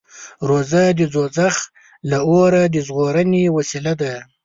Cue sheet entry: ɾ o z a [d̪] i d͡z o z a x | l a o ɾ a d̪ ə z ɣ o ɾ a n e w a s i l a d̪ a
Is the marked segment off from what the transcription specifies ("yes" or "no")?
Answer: no